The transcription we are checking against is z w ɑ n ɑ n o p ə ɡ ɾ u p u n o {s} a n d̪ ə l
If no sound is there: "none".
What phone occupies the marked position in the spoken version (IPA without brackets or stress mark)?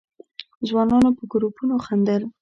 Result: x